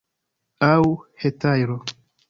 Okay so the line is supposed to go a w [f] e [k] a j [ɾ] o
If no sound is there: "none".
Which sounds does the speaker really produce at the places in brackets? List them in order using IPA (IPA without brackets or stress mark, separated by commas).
h, t, ɾ